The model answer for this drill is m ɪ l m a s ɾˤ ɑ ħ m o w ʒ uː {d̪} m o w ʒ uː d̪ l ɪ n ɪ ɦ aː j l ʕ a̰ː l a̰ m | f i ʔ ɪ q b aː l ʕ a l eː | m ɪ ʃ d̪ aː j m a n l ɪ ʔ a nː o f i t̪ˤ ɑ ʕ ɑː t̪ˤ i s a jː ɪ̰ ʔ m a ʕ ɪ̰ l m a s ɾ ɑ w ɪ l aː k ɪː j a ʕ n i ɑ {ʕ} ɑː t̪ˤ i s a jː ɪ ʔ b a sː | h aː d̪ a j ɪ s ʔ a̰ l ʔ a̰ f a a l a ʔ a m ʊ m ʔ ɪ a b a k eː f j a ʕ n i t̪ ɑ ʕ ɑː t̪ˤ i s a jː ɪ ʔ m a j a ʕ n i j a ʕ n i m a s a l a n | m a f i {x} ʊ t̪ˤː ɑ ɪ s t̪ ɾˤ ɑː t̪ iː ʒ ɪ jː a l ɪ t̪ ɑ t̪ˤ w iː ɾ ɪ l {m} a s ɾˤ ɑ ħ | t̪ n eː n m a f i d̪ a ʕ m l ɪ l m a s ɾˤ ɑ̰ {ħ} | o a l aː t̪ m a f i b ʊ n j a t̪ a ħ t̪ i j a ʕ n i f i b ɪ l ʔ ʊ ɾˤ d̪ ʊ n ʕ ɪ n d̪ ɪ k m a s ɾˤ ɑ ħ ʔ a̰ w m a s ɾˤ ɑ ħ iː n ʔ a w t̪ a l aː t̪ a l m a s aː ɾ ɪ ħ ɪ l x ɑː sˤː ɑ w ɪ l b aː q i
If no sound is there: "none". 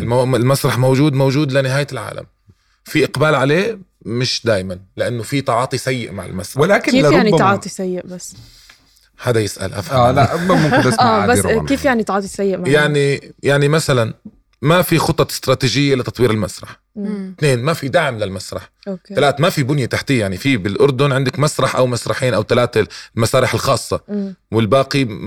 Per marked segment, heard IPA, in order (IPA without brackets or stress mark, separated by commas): d̪, ʕ, x, m, ħ